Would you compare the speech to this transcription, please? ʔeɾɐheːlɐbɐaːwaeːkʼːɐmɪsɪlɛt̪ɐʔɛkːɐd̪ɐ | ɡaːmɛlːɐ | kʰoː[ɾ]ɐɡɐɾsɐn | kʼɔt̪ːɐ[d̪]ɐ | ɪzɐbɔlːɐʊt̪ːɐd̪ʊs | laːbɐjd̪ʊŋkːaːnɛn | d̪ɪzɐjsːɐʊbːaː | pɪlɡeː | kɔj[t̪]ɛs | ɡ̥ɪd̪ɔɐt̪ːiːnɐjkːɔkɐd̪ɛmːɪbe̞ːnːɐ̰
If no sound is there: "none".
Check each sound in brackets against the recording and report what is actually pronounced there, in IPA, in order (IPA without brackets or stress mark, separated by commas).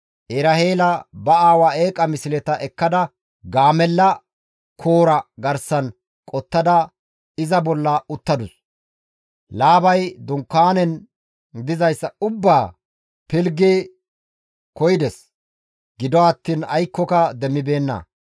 ɾ, d̪, d̪